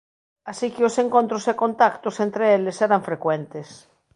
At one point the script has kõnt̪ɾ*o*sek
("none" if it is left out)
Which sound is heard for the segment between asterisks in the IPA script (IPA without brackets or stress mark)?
o